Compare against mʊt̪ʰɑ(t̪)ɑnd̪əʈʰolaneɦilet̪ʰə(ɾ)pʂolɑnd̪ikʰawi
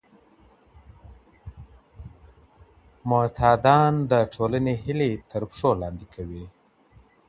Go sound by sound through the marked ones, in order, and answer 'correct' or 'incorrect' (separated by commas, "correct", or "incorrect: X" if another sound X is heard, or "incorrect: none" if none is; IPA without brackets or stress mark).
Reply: incorrect: d̪, correct